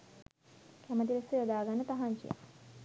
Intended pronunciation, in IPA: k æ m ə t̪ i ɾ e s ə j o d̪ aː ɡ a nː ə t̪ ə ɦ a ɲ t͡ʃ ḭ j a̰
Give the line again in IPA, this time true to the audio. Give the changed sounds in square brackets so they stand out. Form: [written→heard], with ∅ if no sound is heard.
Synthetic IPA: k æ m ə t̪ i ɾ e s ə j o d̪ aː ɡ a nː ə t̪ [ə→a] ɦ a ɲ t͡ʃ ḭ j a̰